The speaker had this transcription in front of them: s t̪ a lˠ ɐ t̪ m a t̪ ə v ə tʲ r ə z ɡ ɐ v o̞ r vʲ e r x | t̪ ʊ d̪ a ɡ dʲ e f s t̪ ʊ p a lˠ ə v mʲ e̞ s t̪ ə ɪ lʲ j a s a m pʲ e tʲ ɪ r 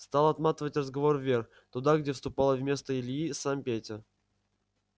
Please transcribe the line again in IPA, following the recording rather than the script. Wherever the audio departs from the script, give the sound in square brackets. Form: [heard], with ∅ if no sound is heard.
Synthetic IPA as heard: s t̪ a lˠ ɐ t̪ m a t̪ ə v ə tʲ r ə z ɡ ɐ v o̞ r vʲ e r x | t̪ ʊ d̪ a ɡ dʲ e f s t̪ ʊ p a lˠ ə v mʲ e̞ s t̪ ə ɪ lʲ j [i] s a m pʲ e tʲ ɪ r